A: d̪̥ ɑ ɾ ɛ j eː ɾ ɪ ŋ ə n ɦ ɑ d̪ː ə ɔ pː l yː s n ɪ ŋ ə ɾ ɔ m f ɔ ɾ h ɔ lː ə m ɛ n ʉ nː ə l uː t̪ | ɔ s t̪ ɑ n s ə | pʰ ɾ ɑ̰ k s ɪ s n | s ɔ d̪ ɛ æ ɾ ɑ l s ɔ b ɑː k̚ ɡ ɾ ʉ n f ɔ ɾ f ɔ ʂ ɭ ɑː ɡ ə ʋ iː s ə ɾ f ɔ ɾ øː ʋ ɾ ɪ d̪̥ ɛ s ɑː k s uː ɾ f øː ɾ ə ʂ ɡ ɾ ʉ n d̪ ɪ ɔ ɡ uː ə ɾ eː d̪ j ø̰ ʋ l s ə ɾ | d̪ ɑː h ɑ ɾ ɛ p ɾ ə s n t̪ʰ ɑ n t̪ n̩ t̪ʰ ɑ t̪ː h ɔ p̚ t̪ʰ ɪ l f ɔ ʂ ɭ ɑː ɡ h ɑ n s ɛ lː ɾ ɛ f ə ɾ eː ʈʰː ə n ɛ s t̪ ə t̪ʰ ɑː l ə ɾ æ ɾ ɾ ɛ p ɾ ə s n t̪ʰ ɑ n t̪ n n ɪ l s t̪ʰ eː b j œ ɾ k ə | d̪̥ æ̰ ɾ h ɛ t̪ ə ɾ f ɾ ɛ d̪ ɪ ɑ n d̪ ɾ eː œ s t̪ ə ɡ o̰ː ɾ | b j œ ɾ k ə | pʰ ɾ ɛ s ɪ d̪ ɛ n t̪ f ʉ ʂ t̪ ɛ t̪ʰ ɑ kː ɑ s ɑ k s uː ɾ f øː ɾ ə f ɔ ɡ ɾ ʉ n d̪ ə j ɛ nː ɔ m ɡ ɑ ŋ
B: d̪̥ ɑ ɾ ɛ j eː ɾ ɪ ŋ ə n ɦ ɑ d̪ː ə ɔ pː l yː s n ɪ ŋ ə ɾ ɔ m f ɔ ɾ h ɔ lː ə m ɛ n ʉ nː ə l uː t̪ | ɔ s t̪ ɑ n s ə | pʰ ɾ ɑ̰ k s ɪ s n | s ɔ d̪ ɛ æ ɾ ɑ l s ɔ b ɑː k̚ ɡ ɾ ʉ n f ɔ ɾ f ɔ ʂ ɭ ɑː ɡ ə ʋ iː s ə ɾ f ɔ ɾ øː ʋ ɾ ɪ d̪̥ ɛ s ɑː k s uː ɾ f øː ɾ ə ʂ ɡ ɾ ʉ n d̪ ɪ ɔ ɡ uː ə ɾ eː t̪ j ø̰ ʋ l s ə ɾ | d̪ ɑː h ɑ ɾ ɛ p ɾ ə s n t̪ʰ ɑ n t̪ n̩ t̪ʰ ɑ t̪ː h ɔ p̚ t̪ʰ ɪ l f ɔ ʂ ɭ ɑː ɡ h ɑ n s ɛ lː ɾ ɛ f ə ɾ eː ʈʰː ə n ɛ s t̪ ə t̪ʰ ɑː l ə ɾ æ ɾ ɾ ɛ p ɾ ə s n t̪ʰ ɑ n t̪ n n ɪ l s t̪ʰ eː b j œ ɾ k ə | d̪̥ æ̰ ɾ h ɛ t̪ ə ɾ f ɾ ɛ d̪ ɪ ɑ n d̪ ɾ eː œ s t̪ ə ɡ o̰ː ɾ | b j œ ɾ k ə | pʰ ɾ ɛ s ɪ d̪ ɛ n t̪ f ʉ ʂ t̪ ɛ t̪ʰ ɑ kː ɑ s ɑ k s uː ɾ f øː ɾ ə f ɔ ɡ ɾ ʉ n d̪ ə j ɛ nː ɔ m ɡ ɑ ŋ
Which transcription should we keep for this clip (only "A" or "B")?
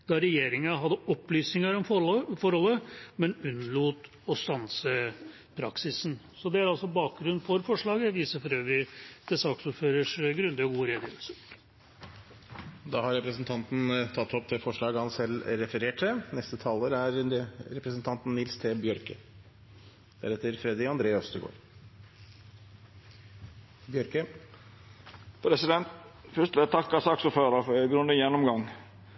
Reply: A